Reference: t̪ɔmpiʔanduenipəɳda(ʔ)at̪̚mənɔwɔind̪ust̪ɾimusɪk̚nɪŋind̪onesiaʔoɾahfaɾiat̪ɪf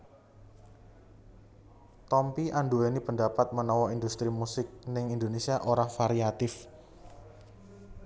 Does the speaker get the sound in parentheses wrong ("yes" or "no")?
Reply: yes